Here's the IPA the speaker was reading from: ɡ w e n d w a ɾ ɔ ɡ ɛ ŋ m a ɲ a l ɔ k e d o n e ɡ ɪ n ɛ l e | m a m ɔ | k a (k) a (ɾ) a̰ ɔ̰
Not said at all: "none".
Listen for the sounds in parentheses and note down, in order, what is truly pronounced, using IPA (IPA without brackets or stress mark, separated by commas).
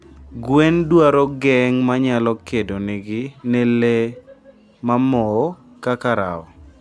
k, ɾ